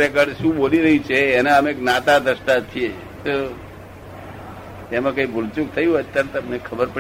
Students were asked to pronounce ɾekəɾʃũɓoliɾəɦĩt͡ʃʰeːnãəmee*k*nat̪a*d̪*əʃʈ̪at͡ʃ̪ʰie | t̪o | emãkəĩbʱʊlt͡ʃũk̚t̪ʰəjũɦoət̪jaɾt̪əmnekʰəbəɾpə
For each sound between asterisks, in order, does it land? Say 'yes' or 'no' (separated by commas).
yes, yes